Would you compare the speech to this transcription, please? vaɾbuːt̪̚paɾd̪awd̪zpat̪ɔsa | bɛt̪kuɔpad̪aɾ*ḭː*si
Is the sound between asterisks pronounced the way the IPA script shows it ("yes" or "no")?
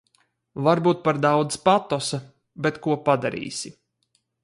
yes